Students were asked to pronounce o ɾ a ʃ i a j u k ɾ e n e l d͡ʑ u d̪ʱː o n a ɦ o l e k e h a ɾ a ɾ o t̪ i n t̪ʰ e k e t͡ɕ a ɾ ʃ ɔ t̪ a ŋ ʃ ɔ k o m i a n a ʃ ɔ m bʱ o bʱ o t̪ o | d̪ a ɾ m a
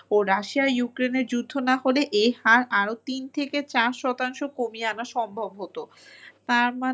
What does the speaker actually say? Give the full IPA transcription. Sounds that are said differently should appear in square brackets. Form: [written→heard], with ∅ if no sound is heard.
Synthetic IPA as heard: o ɾ a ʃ i a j u k ɾ e n e [l→ɾ] d͡ʑ u d̪ʱː o n a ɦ o l e [k→ʔ] e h a ɾ a ɾ o t̪ i n t̪ʰ e k e t͡ɕ a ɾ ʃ ɔ t̪ a ŋ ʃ [ɔ→o] k o m i a n a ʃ ɔ m bʱ o bʱ o t̪ o | [d̪→t̪] a ɾ m a